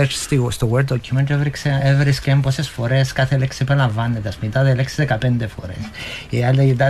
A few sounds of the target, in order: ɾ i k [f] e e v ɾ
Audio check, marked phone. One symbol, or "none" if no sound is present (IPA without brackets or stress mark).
s